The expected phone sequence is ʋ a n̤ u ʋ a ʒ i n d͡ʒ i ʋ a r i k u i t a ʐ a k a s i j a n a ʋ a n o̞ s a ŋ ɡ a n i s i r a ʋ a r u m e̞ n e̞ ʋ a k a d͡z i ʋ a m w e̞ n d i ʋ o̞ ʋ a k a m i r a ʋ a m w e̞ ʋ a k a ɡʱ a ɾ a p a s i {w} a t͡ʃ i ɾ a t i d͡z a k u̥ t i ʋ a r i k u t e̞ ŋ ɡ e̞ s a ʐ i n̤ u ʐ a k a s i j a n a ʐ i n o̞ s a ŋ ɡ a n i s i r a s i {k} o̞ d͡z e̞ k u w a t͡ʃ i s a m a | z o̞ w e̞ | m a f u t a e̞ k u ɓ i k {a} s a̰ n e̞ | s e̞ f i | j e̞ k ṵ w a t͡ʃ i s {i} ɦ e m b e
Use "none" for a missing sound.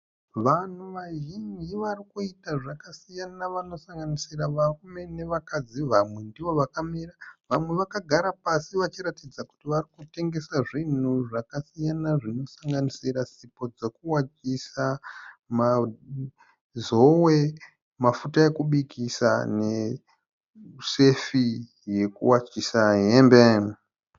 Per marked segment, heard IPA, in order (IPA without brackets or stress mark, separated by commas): ʋ, p, i, a